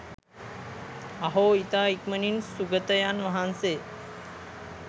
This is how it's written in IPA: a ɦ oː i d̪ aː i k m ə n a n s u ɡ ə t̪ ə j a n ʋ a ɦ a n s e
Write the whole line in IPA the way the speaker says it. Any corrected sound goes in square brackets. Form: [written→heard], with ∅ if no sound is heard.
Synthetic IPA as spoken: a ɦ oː i [d̪→t̪] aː i k m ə n [a→i] n s u ɡ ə t̪ ə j a n ʋ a ɦ a n s e